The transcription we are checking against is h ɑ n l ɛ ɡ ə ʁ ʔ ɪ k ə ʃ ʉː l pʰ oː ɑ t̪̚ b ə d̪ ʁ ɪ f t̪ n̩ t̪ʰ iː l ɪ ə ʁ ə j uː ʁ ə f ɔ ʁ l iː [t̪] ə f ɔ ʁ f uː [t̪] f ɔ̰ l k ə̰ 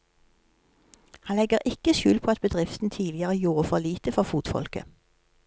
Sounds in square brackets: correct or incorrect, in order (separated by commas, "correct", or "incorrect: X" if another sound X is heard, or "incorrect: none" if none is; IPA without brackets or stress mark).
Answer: correct, correct